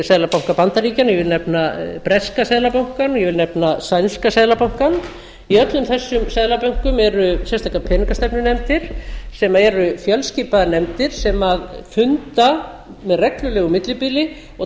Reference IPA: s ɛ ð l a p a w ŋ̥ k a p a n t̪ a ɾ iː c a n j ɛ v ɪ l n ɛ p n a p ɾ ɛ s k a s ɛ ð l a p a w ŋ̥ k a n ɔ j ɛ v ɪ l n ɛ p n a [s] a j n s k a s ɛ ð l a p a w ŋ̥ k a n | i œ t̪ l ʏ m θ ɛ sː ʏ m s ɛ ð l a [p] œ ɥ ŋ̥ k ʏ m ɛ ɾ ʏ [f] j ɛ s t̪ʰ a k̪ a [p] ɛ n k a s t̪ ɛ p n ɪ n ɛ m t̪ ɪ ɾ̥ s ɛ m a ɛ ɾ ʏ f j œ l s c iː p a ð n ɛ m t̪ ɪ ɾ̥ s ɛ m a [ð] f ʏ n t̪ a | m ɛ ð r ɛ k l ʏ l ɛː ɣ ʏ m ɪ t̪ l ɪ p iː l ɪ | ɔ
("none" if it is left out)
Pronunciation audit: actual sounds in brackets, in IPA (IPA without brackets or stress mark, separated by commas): s, p, s, pʰ, ð